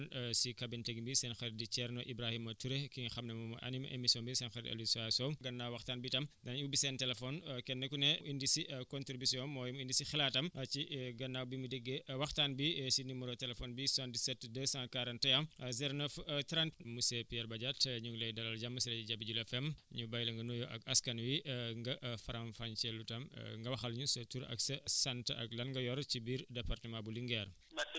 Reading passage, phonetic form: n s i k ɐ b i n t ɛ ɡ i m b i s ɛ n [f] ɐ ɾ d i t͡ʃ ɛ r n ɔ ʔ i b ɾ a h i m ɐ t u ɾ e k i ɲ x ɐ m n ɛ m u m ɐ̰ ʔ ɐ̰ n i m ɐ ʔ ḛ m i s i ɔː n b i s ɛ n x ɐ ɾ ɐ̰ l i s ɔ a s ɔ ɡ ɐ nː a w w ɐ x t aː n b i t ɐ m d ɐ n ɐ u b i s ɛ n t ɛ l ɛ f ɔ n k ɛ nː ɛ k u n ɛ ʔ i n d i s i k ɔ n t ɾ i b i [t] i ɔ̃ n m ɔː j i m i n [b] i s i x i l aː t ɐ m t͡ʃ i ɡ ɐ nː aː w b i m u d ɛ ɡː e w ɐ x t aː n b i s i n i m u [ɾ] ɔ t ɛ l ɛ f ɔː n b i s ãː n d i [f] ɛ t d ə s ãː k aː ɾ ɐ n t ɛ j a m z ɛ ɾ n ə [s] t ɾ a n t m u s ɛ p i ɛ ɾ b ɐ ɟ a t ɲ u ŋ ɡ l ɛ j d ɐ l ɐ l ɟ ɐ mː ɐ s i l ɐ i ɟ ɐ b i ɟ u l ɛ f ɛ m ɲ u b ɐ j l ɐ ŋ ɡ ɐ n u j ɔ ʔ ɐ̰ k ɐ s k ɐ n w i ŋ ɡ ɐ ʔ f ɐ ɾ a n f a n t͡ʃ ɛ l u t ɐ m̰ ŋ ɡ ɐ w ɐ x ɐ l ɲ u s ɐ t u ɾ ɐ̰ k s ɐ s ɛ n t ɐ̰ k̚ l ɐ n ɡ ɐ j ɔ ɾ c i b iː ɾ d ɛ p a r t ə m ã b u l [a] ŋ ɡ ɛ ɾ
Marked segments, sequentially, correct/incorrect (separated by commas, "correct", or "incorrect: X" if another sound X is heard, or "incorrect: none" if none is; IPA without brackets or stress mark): incorrect: x, incorrect: s, incorrect: d, correct, incorrect: s, incorrect: f, incorrect: i